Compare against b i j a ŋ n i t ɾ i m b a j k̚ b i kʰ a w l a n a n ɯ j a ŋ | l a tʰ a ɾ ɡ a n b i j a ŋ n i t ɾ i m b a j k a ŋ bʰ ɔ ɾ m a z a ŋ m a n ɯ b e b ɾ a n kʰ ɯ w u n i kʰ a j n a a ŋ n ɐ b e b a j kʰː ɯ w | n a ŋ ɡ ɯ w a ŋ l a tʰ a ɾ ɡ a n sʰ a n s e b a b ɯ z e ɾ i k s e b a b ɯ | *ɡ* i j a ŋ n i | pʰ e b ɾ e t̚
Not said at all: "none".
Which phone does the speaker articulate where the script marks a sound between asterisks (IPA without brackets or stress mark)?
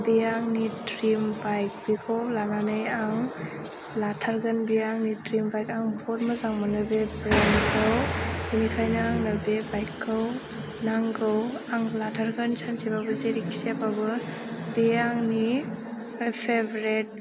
b